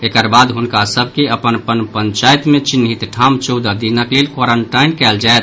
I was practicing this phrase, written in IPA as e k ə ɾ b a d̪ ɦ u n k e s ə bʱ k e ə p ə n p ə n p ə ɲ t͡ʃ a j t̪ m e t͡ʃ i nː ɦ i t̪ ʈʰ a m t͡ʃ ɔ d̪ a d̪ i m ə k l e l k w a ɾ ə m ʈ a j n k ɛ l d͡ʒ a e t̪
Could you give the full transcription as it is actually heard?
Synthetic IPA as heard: e k ə ɾ b a d̪ ɦ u n k a s ə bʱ k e ə p ə n p ə n p ə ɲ t͡ʃ a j t̪ m e t͡ʃ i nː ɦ i t̪ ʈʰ a m t͡ʃ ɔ d̪ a d̪ i n ə k l e l k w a ɾ ə ɳ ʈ a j n k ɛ l d͡ʒ a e t̪

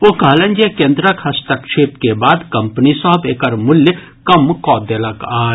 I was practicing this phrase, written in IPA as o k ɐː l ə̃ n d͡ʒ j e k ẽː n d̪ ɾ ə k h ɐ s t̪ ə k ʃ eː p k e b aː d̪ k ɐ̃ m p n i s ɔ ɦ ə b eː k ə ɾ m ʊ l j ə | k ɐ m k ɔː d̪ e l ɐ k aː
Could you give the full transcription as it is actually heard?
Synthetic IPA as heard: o k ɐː l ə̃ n d͡ʒ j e k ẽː n d̪ ɾ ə k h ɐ s t̪ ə k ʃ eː p k e b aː d̪ k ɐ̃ m p n i s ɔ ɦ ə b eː k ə ɾ m ʊ l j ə | k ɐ m k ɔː d̪ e l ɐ k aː

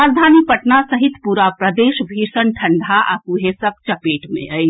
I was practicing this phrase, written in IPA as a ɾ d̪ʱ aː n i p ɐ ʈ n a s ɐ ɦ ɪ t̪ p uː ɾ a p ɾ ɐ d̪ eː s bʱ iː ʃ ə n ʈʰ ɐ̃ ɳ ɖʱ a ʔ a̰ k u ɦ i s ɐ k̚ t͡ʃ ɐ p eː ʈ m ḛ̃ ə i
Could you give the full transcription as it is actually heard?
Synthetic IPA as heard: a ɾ d̪ʱ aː n i p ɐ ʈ n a s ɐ ɦ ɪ t̪ p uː ɾ a p ɾ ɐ d̪ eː ʃ bʱ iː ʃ ə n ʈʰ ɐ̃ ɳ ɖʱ a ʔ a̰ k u ɦ e s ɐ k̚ t͡ʃ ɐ p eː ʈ m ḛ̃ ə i

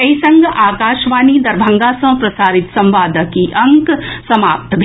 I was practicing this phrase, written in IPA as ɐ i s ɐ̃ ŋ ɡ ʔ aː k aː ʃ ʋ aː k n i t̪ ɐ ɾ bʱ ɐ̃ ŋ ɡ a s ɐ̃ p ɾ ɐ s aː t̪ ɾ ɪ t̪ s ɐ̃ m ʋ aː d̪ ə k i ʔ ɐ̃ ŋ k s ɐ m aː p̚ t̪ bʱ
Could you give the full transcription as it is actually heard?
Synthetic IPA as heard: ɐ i s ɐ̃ ŋ ɡ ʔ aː k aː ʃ ʋ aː n i d̪ ɐ ɾ bʱ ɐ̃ ŋ ɡ a s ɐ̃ p ɾ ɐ s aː ɾ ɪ t̪ s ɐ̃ m ʋ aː d̪ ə k i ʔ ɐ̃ ŋ k s ɐ m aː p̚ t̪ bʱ

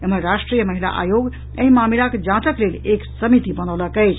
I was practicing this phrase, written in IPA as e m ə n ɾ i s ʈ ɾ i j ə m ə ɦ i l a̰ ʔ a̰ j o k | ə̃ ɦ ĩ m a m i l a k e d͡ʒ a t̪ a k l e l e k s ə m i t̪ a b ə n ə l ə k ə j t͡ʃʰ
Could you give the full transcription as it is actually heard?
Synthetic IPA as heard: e m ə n ɾ a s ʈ ɾ i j ə m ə ɦ i l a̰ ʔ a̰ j o ɡ | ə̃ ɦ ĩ m a m i l a k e d͡ʒ a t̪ ə k l e l e k s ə m i t̪ i b ə n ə l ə k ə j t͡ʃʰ

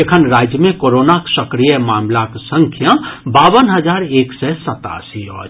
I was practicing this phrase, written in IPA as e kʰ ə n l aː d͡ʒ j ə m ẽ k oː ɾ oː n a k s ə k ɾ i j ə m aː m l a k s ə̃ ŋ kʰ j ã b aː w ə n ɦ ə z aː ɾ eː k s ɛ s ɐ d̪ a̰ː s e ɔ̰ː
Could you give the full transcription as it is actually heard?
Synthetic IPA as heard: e kʰ ə n ɾ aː d͡ʒ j ə m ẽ k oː ɾ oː n a k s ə k ɾ i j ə m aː m l a k s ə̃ ŋ kʰ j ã b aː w ə n ɦ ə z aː ɾ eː k s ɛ s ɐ t̪ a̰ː s i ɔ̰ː

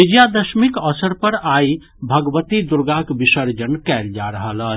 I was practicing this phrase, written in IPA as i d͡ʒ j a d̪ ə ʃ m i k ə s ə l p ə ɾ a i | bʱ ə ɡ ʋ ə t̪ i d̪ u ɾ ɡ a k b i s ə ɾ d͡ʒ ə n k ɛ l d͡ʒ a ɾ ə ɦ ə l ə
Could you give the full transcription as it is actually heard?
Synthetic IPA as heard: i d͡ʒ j a d̪ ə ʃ m i k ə s ə ɾ p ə ɾ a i | bʱ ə ɡ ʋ ə t̪ i d̪ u ɾ ɡ a k b i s ə ɾ d͡ʒ ə n k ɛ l d͡ʒ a ɾ ə ɦ ə l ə

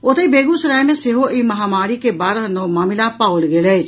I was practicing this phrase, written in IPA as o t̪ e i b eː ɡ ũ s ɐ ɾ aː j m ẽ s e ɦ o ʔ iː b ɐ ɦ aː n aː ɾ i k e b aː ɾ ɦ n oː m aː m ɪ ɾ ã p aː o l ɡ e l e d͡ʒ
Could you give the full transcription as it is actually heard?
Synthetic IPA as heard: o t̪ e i b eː ɡ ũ s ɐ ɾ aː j m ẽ s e ɦ o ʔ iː m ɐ ɦ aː m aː ɾ i k e b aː ɾ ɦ n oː m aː m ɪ l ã p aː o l ɡ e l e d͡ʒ

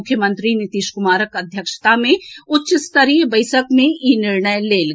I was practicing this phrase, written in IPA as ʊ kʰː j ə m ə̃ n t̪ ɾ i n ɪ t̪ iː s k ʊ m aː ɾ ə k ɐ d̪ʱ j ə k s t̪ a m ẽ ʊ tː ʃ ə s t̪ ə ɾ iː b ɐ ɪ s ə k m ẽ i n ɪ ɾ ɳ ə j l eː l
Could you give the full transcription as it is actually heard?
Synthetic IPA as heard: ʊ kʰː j ə m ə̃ n t̪ ɾ i n ɪ t̪ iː ʃ k ʊ m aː ɾ ə k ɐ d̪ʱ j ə k ʃ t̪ a m ẽ ʊ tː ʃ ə s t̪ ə ɾ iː b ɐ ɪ s ə k m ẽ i n ɪ ɾ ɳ ə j l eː l

